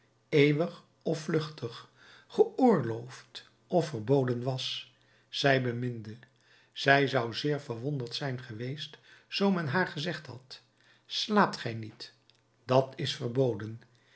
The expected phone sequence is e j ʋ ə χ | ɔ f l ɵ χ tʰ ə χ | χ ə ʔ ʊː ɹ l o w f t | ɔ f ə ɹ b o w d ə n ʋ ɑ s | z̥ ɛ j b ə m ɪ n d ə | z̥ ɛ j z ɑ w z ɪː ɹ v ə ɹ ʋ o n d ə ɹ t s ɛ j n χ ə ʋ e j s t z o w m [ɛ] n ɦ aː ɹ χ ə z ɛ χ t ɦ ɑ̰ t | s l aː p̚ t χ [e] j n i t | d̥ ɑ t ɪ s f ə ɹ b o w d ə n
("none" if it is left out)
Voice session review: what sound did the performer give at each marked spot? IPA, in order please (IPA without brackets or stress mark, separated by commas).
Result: ɛ, ɛ